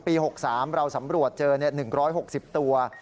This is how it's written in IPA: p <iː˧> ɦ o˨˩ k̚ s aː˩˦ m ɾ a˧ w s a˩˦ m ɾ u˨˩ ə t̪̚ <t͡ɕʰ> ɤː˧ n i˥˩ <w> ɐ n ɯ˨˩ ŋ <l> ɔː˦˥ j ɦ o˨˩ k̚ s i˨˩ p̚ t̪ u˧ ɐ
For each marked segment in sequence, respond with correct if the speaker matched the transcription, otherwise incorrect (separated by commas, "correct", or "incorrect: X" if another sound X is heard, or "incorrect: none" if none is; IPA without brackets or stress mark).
correct, incorrect: t͡ɕ, incorrect: none, incorrect: ɾ